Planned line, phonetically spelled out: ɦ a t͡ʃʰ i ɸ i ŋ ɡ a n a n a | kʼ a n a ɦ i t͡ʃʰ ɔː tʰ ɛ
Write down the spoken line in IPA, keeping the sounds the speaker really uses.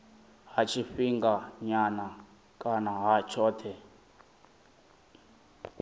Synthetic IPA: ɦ a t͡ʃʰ i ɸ i ŋ ɡ a ɲ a n a | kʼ a n a ɦ a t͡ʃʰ ɔː tʰ ɛ